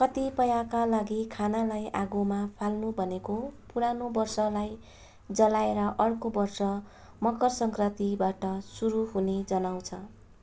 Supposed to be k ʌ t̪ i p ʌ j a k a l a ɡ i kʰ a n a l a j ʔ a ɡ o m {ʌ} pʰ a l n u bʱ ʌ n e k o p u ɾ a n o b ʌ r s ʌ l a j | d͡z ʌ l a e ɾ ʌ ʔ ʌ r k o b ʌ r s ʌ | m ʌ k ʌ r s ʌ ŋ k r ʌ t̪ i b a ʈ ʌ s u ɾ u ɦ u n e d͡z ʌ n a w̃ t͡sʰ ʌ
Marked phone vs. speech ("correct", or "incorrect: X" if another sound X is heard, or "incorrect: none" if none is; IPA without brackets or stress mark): incorrect: a